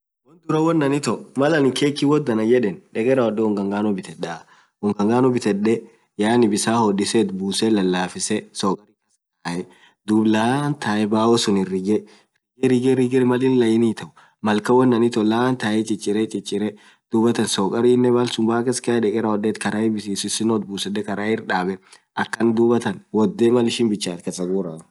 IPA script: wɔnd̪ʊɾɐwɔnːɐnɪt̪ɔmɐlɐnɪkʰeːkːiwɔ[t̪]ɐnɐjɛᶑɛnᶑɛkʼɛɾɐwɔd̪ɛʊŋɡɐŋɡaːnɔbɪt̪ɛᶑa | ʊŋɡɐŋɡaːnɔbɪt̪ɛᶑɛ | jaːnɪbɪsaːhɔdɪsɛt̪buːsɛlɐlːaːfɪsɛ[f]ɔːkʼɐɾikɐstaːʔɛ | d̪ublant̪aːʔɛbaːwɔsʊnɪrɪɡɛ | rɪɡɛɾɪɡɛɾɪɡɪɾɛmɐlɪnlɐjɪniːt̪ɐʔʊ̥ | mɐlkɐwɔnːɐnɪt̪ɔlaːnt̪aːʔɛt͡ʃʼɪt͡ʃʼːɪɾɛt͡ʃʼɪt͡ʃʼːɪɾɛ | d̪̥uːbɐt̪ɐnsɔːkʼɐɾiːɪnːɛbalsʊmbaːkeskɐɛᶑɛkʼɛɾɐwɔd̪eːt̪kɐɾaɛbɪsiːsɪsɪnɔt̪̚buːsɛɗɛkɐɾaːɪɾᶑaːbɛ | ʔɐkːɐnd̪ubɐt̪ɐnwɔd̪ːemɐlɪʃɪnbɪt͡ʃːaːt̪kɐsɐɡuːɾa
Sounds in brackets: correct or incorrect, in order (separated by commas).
incorrect, incorrect